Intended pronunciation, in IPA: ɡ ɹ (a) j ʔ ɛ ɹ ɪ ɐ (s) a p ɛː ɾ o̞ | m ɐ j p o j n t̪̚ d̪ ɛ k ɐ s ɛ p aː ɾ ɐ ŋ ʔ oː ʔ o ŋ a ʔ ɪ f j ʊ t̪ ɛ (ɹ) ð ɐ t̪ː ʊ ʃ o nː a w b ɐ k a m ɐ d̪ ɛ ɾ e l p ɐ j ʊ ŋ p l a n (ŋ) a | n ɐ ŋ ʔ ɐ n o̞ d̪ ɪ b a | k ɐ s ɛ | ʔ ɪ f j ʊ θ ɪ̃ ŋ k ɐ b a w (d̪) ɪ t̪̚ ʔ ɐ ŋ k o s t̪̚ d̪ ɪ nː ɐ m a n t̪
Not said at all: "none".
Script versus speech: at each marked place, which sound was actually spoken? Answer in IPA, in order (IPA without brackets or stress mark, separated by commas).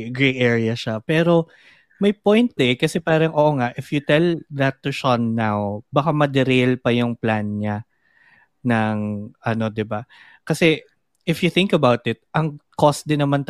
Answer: e, ʃ, l, ɲ, t̪